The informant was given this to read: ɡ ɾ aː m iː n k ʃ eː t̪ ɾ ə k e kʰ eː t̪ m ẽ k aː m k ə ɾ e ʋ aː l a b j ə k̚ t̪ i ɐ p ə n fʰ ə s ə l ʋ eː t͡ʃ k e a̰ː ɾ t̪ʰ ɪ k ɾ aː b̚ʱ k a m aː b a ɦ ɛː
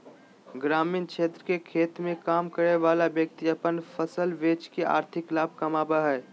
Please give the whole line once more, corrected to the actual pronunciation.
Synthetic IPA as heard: ɡ ɾ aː m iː n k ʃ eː t̪ ɾ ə k e kʰ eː t̪ m ẽ k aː m k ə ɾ e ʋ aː l a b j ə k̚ t̪ i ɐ p ə n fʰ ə s ə l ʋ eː t͡ʃ k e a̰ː ɾ t̪ʰ ɪ k l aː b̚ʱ k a m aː b a ɦ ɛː